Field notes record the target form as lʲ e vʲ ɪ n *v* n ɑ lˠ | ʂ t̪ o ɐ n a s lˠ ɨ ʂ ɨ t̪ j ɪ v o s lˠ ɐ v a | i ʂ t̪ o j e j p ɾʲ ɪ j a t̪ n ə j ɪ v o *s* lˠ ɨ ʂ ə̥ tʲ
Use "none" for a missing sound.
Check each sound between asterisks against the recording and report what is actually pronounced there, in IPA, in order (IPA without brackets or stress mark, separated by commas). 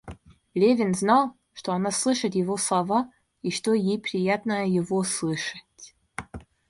z, s